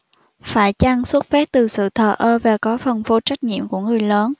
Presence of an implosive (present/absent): absent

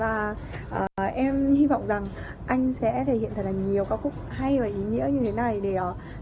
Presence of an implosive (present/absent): present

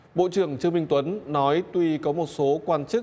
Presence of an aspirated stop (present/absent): absent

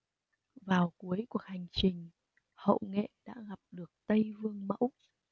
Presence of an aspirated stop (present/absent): absent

